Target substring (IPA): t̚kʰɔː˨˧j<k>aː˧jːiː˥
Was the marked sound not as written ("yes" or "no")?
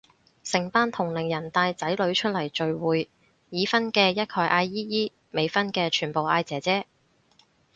yes